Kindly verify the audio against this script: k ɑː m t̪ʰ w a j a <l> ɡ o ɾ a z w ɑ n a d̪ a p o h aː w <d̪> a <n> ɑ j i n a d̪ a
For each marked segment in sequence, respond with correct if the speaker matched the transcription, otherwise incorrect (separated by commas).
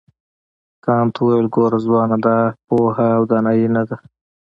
correct, correct, correct